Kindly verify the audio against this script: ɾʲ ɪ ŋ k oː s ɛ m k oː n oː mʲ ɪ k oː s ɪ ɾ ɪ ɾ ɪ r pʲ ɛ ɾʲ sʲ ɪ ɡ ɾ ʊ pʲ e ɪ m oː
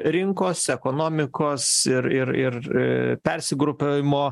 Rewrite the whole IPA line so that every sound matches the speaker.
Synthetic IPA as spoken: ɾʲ ɪ ŋ k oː s ɛ k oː n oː mʲ ɪ k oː s ɪ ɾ ɪ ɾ ɪ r pʲ ɛ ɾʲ sʲ ɪ ɡ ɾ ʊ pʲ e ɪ m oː

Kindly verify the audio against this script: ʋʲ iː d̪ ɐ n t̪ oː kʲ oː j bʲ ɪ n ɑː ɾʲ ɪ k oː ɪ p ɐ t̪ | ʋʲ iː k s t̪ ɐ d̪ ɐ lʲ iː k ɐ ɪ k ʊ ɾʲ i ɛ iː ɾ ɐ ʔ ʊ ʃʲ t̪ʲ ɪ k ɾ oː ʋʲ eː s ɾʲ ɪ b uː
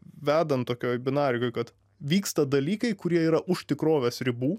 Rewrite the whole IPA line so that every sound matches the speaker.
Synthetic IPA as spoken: ʋʲ æː d̪ ɐ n t̪ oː kʲ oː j bʲ ɪ n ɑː ɾʲ ɪ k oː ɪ k ɐ t̪ | ʋʲ iː k s t̪ ɐ d̪ ɐ lʲ iː k ɐ ɪ k ʊ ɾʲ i ɛ iː ɾ ɐ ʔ ʊ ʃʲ t̪ʲ ɪ k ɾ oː ʋʲ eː s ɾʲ ɪ b uː

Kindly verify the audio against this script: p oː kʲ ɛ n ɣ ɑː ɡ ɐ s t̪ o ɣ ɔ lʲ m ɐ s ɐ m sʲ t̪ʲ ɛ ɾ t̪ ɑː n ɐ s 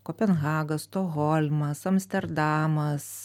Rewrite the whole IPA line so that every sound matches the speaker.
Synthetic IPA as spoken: k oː pʲ ɛ n ɣ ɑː ɡ ɐ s t̪ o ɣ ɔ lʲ m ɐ s ɐ m sʲ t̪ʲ ɛ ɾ d̪ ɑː m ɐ s

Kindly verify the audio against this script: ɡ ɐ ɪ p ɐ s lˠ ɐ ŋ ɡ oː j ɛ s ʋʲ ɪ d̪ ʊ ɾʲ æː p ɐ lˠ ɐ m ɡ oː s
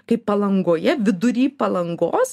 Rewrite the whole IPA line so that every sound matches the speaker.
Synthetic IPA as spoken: k ɐ ɪ p ɐ lˠ ɐ ŋ ɡ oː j ɛ ʋʲ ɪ d̪ ʊ ɾʲ iː p ɐ lˠ ɐ ŋ ɡ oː s

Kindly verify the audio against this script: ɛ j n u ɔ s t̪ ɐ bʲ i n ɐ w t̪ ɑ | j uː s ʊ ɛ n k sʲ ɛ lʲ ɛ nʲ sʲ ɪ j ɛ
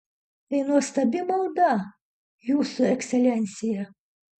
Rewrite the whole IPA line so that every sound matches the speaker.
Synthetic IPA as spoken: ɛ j n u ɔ s t̪ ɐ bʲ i m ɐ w d̪ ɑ | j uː s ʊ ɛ k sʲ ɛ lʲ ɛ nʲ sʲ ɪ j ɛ

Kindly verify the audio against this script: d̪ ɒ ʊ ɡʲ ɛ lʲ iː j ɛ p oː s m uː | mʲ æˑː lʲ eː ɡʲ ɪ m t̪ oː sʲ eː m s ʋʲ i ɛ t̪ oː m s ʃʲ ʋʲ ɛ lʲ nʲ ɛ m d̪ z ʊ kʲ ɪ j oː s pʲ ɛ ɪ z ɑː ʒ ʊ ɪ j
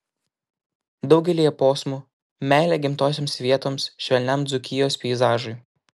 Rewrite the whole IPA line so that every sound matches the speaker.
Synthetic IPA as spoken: d̪ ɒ ʊ ɡʲ ɛ lʲ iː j ɛ p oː s m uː | mʲ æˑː lʲ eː ɡʲ ɪ m t̪ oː sʲ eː m s ʋʲ i ɛ t̪ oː m s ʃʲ ʋʲ ɛ lʲ nʲ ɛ m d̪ z ʊ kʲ ɪ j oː s pʲ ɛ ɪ z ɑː ʒ ʊ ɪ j

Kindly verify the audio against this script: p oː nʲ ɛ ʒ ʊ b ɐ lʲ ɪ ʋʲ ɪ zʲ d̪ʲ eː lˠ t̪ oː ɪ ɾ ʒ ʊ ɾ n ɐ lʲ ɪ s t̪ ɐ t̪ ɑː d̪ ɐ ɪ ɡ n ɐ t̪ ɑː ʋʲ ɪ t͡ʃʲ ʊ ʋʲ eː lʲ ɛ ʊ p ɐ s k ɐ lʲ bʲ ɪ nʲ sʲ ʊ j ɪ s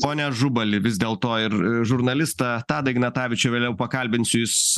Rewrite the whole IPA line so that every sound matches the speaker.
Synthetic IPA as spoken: p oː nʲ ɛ ʒ ʊ b ɐ lʲ ɪ ʋʲ ɪ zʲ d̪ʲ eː lˠ t̪ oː ɪ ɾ ʒ ʊ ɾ n ɐ lʲ ɪ s t̪ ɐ t̪ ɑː d̪ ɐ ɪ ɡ n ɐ t̪ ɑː ʋʲ ɪ t͡ʃʲ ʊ ʋʲ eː lʲ ɛ ʊ p ɐ k ɐ lʲ bʲ ɪ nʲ sʲ ʊ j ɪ s

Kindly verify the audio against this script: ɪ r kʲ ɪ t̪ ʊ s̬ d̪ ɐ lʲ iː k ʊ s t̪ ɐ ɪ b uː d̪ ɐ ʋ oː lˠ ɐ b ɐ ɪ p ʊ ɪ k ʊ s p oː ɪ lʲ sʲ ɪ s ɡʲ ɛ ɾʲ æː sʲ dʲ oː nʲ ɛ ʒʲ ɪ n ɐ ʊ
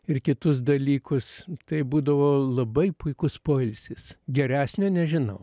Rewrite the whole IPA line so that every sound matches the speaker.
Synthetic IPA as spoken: ɪ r kʲ ɪ t̪ ʊ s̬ d̪ ɐ lʲ iː k ʊ s t̪ ɐ ɪ b uː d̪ ɐ ʋ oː lˠ ɐ b ɐ ɪ p ʊ ɪ k ʊ s p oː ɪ lʲ sʲ ɪ s ɡʲ ɛ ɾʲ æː sʲ nʲ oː nʲ ɛ ʒʲ ɪ n ɐ ʊ

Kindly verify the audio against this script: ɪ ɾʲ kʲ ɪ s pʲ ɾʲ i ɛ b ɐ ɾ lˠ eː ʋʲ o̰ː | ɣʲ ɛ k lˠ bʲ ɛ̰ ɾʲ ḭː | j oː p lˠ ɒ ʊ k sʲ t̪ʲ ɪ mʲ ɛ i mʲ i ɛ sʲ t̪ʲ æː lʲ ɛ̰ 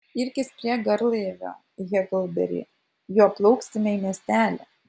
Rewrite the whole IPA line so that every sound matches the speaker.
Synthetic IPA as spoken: ɪ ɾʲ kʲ ɪ s pʲ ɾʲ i ɛ ɡ ɐ ɾ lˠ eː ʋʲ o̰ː | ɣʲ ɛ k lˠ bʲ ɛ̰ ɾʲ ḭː | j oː p lˠ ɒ ʊ k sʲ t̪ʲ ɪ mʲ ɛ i mʲ i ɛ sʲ t̪ʲ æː lʲ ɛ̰

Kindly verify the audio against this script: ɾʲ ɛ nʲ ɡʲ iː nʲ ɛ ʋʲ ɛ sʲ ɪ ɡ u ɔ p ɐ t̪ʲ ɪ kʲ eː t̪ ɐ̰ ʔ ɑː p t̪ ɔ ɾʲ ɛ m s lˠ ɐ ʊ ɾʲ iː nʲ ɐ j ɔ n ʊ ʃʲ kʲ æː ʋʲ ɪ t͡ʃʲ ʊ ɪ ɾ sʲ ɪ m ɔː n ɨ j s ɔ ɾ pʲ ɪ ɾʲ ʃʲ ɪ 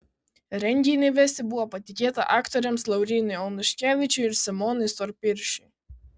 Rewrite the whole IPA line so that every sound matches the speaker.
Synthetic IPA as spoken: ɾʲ ɛ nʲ ɡʲ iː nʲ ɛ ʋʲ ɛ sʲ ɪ b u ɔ p ɐ t̪ʲ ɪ kʲ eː t̪ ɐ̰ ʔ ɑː k t̪ ɔ ɾʲ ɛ m s lˠ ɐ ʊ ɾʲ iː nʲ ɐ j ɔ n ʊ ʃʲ kʲ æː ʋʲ ɪ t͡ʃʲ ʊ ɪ ɾ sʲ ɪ m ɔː n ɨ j s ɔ ɾ pʲ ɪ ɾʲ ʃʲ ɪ

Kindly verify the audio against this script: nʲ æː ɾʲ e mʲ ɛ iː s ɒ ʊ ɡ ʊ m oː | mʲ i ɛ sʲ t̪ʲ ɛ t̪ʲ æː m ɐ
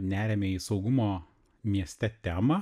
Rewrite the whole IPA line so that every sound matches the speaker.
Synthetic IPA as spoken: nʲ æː ɾʲ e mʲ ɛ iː s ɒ ʊ ɡ ʊ m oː | mʲ i ɛ sʲ t̪ʲ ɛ t̪ʲ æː m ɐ

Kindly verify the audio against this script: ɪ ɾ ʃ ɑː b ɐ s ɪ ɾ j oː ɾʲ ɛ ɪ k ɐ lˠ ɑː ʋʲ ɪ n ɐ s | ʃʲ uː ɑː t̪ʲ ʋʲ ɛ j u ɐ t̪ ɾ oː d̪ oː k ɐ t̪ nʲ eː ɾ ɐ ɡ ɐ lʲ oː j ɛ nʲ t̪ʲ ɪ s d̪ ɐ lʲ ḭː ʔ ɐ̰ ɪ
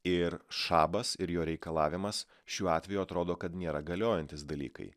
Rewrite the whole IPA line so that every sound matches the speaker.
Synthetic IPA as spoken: ɪ ɾ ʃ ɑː b ɐ s ɪ ɾ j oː ɾʲ ɛ ɪ k ɐ lˠ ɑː ʋʲ ɪ m ɐ s | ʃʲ uː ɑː t̪ʲ ʋʲ ɛ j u ɐ t̪ ɾ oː d̪ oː k ɐ t̪ nʲ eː ɾ ɐ ɡ ɐ lʲ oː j ɛ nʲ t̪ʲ ɪ s d̪ ɐ lʲ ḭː k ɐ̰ ɪ

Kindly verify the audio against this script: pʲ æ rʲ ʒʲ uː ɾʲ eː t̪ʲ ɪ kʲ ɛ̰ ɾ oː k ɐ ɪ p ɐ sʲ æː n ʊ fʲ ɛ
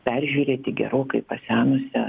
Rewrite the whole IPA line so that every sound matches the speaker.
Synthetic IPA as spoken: pʲ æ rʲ ʒʲ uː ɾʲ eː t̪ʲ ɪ ɡʲ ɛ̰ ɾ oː k ɐ ɪ p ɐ sʲ æː n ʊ sʲ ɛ

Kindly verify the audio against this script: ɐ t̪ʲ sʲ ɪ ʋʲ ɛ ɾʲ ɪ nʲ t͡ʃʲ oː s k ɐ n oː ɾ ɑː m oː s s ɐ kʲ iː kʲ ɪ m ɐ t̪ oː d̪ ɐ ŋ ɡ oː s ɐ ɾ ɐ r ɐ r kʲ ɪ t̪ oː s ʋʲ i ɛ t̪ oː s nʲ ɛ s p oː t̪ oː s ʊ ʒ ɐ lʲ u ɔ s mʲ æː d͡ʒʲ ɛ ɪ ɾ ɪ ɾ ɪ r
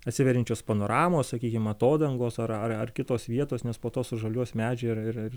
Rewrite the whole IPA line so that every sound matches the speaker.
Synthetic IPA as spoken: ɐ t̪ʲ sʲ ɪ ʋʲ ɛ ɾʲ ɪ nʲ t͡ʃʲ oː s p ɐ n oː ɾ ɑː m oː s s ɐ kʲ iː kʲ ɪ m ɐ t̪ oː d̪ ɐ ŋ ɡ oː s ɐ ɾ ɐ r ɐ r kʲ ɪ t̪ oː s ʋʲ i ɛ t̪ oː s nʲ ɛ s p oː t̪ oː s ʊ ʒ ɐ lʲ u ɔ s mʲ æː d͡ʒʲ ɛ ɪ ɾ ɪ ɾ ɪ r

